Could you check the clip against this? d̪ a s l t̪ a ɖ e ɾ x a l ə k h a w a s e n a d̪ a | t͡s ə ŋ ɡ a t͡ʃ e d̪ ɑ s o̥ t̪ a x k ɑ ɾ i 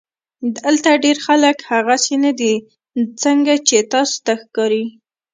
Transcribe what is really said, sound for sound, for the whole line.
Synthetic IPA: d̪ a l t̪ a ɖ e ɾ x a l ə k h a ɣ a s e n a d̪ i | t͡s ə ŋ ɡ a t͡ʃ e t̪ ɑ s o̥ t̪ a x k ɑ ɾ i